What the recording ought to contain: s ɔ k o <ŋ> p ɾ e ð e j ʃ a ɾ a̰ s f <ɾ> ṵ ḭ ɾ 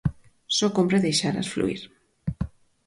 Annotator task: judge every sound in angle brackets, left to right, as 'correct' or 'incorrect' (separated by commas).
incorrect, incorrect